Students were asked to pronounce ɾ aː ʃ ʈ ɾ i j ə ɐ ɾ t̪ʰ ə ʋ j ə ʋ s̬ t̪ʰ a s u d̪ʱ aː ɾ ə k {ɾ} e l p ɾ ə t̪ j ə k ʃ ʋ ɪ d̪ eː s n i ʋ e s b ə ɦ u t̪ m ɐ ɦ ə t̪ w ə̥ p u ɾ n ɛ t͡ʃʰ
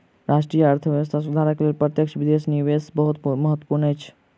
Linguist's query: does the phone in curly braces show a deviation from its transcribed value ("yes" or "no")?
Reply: yes